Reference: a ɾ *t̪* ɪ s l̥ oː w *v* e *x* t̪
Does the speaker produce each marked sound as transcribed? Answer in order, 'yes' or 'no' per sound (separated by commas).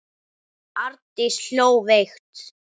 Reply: yes, yes, yes